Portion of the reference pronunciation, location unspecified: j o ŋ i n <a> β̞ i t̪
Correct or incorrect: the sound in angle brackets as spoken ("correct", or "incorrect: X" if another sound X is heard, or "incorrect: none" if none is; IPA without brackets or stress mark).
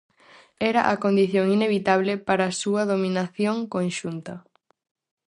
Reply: incorrect: e